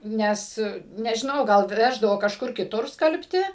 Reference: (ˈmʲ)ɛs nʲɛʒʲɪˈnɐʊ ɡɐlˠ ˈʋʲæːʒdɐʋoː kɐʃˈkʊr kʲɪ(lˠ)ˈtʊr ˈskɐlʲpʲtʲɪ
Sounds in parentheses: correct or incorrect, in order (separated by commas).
incorrect, incorrect